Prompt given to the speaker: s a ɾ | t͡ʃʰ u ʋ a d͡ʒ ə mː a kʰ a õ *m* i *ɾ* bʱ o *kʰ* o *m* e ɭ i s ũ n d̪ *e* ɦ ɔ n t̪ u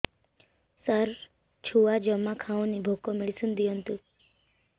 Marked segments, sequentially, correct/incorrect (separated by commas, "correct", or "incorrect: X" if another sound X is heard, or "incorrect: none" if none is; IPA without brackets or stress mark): incorrect: n, incorrect: none, incorrect: k, correct, incorrect: i